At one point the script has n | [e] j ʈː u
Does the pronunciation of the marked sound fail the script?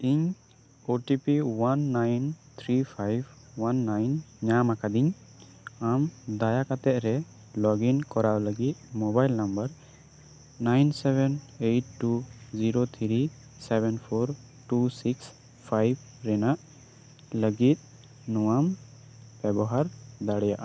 no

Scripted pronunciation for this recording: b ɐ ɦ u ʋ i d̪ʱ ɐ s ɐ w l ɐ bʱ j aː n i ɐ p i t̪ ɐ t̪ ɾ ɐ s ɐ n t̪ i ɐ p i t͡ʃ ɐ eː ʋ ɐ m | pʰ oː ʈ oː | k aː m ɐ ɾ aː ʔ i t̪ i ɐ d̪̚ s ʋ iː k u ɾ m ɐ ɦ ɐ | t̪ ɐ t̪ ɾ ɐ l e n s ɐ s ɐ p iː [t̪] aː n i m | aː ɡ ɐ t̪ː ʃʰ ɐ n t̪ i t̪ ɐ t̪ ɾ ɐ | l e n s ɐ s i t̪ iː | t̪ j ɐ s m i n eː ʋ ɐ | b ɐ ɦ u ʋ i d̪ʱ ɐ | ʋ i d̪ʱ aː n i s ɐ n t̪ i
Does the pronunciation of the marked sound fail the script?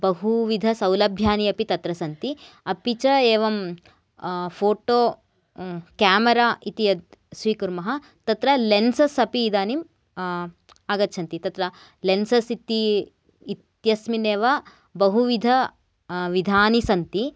yes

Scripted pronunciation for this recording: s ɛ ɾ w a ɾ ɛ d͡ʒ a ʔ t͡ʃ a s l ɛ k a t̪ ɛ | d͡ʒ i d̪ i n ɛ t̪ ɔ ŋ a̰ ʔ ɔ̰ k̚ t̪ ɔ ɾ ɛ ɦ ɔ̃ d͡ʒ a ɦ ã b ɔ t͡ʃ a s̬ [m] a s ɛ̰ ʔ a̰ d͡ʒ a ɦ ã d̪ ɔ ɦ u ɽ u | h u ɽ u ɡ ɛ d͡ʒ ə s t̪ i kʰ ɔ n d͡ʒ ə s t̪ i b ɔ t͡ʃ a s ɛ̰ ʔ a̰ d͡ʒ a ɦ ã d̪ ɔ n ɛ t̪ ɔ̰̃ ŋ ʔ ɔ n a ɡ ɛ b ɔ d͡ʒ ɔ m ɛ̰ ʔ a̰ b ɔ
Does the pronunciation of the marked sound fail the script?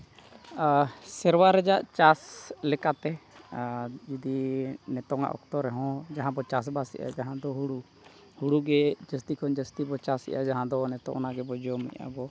yes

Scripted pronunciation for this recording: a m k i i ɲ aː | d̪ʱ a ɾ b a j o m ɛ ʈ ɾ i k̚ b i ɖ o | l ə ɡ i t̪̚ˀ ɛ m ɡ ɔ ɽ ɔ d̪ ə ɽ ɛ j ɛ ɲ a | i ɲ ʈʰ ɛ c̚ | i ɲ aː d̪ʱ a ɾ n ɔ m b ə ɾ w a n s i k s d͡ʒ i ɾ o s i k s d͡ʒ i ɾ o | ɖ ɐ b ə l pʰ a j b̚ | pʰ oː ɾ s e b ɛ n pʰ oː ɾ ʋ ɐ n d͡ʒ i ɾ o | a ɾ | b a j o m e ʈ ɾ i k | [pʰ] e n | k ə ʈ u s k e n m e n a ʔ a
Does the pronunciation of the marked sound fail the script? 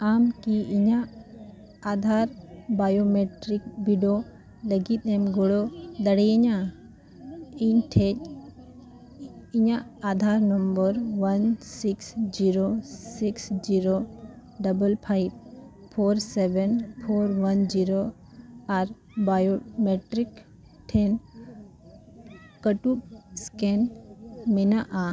yes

